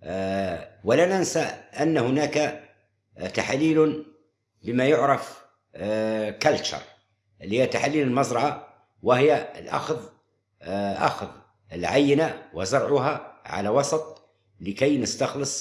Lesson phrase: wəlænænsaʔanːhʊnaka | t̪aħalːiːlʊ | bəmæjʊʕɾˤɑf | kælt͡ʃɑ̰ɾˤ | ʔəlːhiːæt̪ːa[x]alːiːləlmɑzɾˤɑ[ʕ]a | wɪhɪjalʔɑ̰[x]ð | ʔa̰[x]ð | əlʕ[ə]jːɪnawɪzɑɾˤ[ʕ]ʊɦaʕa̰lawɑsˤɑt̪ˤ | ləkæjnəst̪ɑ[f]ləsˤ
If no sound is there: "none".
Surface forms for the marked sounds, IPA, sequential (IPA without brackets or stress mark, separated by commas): ħ, ʕ, x, x, a, ʕ, x